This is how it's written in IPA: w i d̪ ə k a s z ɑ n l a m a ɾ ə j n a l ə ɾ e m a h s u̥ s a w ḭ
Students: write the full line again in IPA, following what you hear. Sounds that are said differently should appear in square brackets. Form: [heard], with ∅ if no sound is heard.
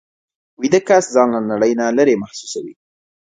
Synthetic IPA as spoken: w i d̪ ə k a s z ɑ n l a [n] a [ɽ] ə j n a l ə ɾ e m a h s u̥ s a w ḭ